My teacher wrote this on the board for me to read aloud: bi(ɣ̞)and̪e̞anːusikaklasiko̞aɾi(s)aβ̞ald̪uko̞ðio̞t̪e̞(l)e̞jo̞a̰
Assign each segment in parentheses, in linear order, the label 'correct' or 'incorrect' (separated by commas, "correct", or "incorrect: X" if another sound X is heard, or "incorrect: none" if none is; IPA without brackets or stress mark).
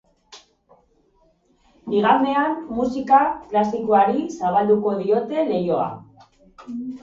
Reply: correct, correct, correct